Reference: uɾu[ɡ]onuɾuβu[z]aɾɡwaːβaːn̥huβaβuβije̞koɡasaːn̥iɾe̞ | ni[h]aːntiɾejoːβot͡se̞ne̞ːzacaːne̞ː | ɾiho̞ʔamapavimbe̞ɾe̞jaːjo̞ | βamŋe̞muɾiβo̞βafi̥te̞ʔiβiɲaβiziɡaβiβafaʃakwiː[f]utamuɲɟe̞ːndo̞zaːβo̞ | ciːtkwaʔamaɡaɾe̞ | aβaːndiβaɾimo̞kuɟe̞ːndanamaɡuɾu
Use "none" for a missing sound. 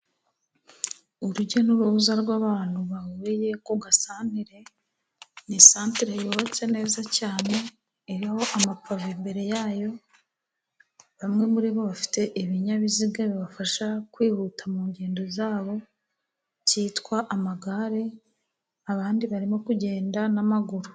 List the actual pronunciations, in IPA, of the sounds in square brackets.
ɟ, z, s, h

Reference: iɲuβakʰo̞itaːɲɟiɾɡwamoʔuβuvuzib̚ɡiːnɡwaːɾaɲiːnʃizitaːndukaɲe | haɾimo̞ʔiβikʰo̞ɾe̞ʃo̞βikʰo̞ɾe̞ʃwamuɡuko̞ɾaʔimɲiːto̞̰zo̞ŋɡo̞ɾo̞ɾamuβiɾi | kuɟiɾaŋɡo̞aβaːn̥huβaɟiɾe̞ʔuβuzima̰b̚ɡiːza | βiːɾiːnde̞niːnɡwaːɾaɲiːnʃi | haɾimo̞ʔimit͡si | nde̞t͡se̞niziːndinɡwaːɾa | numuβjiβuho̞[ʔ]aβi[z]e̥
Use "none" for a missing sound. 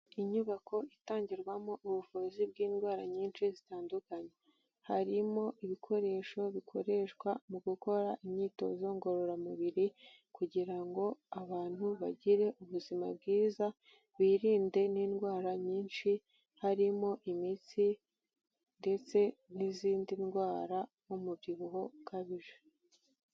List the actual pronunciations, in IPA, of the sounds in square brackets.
k, ʒ

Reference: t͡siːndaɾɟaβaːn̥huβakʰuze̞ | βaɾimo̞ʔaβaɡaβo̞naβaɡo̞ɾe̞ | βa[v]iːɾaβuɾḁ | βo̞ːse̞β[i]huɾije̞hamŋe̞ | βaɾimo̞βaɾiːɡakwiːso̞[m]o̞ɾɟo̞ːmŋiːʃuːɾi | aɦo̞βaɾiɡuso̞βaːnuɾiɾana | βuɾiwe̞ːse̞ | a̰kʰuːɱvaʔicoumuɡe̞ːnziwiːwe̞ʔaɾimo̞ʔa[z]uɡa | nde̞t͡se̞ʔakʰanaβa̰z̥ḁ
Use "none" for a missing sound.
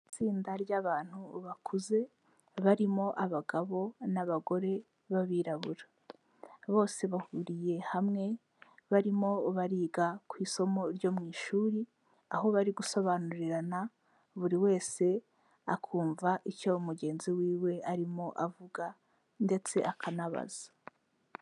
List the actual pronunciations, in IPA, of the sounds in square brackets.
β, a, m, v

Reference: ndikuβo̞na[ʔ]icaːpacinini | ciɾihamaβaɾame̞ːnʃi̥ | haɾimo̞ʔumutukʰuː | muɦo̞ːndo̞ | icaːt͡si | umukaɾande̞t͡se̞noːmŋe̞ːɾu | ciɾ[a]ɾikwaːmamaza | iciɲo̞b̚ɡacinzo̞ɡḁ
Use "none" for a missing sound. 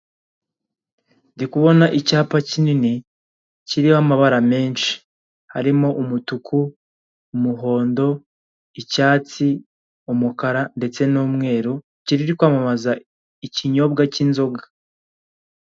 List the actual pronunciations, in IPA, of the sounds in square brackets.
ʔ, i

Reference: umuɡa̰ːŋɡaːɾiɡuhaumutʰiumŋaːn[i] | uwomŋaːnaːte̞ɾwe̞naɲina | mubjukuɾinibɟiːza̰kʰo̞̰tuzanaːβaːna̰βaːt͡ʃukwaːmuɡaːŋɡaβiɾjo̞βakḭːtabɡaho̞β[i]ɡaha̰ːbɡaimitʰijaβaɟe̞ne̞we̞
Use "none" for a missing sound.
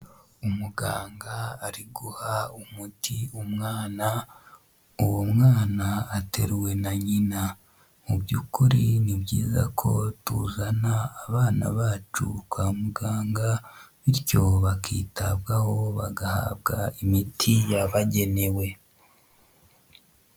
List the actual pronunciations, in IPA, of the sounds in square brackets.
a, a

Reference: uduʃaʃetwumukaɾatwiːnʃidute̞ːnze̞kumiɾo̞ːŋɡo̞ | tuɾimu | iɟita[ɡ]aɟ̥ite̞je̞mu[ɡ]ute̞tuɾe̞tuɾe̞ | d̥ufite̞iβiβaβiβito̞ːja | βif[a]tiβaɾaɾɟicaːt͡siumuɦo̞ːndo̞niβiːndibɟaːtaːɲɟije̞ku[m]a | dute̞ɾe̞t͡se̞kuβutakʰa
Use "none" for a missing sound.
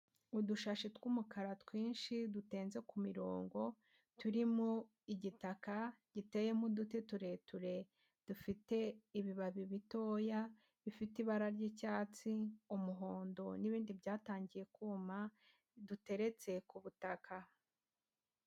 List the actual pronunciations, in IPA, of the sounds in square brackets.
k, d, i, m

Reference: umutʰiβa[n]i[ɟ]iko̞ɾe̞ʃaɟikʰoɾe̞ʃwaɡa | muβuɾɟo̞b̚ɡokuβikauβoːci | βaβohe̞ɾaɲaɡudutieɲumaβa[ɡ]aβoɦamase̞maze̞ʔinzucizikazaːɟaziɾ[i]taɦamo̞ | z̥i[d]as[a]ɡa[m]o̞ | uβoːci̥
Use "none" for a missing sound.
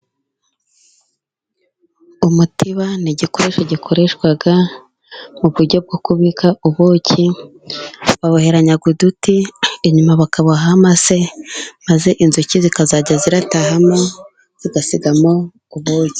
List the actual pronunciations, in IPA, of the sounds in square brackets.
n, ɟ, k, a, ɡ, i, m

